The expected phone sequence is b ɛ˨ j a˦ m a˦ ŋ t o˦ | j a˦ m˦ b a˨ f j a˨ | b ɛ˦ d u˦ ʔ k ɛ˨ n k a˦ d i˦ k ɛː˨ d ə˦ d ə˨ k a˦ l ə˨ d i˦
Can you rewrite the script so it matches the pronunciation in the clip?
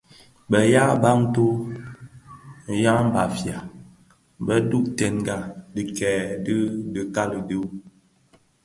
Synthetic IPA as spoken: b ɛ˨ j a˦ b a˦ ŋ t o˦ | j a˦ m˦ b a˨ f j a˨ | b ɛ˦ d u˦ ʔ t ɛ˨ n ɡ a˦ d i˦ k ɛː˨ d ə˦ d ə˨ k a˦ l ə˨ d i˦